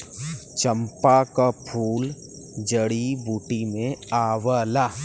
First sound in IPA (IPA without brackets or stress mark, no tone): t͡ʃ